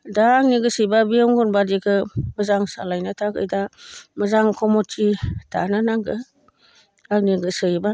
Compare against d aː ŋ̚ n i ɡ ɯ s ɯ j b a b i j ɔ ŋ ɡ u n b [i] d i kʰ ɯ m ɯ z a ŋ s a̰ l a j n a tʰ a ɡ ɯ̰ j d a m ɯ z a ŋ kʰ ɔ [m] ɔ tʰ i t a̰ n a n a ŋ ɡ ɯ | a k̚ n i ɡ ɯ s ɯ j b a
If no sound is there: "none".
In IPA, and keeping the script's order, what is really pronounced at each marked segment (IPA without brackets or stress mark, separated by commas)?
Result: a, m